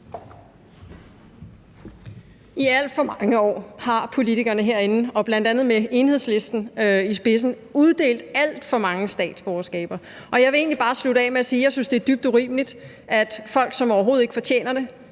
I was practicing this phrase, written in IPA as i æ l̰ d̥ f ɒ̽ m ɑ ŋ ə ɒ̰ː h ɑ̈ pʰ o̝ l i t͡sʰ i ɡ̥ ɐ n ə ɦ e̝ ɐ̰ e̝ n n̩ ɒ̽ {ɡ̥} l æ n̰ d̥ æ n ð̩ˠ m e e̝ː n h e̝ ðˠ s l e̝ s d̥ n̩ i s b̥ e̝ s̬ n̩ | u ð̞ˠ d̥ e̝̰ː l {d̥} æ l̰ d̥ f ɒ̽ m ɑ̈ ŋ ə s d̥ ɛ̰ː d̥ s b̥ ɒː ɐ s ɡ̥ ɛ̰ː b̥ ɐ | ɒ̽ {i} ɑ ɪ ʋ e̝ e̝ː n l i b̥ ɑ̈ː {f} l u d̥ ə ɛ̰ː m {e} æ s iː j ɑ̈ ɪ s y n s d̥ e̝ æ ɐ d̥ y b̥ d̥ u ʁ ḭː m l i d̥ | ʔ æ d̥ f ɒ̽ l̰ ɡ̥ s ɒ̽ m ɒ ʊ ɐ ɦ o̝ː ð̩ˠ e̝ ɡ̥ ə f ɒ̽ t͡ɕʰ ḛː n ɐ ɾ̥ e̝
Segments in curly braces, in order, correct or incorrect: incorrect: b̥, correct, incorrect: j, incorrect: s, correct

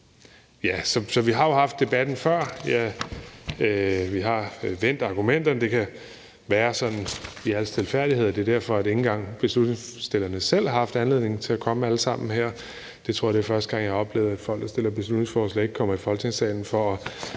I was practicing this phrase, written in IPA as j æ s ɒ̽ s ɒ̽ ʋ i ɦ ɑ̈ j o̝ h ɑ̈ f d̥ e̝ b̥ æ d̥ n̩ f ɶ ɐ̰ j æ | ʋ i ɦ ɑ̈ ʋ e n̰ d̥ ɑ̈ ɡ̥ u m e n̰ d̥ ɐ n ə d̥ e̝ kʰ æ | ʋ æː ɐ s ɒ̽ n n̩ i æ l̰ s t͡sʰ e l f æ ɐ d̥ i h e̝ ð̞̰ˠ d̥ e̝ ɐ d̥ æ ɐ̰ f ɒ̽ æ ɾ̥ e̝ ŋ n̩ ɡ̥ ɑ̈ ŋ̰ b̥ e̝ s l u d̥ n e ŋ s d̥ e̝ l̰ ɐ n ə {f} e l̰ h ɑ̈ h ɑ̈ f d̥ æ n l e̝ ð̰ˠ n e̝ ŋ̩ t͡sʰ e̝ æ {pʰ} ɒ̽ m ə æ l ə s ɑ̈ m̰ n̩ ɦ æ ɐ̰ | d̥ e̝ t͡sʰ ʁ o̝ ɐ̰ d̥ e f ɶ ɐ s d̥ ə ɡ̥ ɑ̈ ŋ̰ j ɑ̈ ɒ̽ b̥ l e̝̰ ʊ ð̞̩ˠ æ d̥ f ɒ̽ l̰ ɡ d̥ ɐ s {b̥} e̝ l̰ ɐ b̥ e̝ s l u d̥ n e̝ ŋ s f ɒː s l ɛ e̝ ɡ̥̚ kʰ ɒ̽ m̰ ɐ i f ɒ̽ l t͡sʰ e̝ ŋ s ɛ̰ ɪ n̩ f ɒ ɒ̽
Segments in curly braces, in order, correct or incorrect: incorrect: s, incorrect: kʰ, incorrect: d̥

